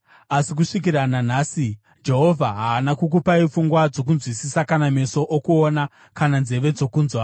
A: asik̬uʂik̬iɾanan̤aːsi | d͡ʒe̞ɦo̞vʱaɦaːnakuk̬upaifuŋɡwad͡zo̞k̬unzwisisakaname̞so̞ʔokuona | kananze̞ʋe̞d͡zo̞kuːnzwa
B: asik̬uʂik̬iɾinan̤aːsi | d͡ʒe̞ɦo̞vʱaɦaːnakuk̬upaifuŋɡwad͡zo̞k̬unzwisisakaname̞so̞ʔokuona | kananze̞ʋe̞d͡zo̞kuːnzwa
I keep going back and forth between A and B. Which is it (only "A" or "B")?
A